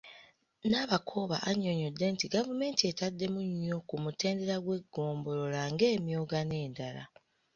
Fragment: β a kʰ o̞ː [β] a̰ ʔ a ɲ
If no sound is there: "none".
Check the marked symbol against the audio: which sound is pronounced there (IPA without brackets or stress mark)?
β